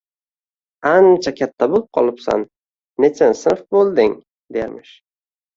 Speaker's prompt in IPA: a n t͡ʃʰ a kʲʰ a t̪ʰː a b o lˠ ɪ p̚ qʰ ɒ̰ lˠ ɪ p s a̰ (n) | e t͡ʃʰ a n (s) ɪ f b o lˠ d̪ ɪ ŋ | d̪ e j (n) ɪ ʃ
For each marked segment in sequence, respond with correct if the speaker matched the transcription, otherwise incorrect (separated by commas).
incorrect, correct, incorrect